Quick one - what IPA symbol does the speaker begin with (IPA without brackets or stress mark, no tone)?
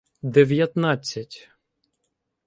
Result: d̪